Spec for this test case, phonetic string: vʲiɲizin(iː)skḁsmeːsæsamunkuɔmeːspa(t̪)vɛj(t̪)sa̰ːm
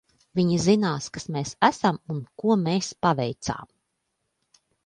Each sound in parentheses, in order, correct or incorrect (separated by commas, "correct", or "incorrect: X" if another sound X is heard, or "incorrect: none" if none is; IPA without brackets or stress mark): incorrect: aː, incorrect: none, correct